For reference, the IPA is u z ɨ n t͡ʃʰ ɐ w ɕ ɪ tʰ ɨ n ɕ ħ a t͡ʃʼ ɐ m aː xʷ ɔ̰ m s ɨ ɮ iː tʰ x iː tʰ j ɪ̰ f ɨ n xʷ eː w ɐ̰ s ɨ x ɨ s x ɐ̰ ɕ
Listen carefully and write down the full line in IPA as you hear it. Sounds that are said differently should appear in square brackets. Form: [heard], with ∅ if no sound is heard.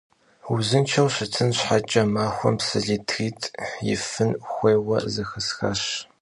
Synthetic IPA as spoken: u z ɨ n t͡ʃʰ ɐ w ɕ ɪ tʰ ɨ n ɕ ħ a t͡ʃʼ ɐ m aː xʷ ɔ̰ m s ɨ ɮ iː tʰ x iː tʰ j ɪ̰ f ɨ n xʷ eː w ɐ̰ [z] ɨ x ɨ s x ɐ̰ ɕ